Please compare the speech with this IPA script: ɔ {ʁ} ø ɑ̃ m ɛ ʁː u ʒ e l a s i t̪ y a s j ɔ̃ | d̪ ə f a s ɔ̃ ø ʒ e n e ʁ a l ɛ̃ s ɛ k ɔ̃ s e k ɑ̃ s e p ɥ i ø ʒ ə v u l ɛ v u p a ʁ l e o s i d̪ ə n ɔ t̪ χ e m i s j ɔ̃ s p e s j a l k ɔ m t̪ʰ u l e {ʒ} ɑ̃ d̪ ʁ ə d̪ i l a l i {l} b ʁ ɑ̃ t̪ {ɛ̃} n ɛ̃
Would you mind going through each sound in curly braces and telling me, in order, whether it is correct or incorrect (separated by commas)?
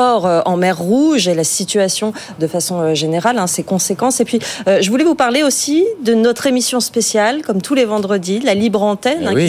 correct, incorrect, incorrect, incorrect